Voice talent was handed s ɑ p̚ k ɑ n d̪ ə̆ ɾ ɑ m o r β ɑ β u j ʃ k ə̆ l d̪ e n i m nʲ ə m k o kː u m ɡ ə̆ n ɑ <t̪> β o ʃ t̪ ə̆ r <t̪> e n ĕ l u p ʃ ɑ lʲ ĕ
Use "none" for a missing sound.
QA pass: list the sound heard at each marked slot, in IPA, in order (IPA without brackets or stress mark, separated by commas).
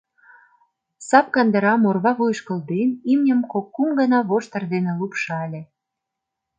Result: none, d̪